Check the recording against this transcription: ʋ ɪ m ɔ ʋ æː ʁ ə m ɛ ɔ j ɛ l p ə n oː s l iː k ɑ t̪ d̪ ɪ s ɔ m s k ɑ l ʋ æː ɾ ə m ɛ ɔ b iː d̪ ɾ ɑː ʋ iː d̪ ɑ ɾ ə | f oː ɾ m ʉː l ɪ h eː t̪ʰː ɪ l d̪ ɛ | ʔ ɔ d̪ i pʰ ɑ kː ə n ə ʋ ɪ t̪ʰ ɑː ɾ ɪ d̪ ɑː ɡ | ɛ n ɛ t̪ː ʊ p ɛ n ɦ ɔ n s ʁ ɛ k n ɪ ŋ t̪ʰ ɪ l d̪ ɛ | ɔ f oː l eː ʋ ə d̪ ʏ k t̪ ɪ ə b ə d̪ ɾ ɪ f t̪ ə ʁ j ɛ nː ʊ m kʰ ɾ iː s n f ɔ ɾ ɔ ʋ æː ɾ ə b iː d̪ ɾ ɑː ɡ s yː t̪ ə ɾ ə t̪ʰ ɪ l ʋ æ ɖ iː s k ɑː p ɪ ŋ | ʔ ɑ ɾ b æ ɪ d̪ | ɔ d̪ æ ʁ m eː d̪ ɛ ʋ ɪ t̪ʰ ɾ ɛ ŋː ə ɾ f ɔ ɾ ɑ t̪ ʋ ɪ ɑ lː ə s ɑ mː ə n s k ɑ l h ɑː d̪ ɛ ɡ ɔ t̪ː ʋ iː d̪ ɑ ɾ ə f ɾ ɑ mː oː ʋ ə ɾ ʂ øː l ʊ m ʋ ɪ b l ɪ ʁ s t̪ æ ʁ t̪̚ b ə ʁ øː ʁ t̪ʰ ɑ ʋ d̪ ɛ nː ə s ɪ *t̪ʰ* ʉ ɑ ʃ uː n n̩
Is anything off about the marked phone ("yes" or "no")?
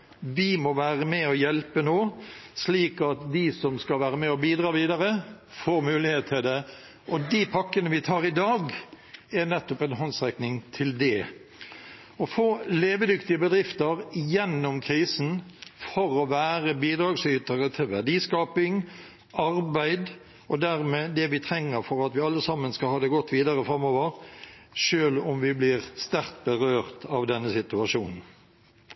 yes